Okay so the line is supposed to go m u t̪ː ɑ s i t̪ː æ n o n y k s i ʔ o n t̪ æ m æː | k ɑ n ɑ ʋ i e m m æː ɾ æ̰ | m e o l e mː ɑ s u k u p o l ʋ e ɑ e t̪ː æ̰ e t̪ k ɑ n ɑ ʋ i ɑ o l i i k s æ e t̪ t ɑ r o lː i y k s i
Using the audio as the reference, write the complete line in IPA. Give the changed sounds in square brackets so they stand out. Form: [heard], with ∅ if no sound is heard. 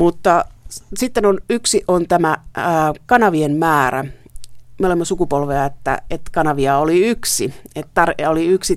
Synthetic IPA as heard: m u t̪ː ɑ s i t̪ː [e] n o n y k s i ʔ o n t̪ æ m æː | k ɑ n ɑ ʋ i e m m æː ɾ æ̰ | m e o l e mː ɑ s u k u p o l ʋ e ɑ e t̪ː æ̰ e t̪ k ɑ n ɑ ʋ i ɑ o l i [y] k s [i] e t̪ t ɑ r o [l] i y k s i